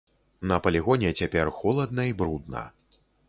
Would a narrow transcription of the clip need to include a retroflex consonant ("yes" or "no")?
no